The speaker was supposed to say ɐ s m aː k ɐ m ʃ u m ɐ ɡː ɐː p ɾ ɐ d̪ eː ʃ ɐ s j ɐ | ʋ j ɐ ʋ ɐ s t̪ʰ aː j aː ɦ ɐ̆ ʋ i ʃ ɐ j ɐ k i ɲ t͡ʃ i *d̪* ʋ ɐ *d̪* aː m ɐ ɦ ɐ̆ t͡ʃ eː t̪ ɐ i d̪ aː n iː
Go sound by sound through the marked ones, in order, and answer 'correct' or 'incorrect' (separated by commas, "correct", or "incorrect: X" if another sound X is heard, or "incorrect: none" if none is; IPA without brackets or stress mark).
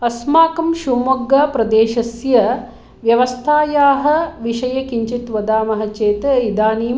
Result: incorrect: t̪, correct